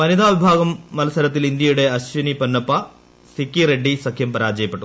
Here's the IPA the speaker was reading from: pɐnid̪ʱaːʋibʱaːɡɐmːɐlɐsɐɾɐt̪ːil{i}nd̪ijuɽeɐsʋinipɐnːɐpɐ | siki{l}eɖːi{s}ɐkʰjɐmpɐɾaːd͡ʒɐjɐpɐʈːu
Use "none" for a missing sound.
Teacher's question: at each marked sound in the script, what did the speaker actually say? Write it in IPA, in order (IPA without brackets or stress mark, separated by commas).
i, ɾ, s